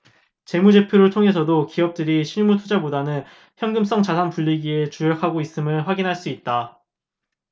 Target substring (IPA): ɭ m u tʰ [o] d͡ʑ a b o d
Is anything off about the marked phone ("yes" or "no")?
yes